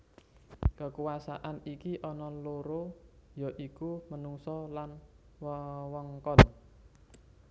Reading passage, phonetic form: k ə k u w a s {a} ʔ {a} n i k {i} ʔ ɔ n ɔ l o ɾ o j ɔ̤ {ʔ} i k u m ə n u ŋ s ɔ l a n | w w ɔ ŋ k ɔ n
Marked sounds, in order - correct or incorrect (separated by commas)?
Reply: correct, correct, correct, correct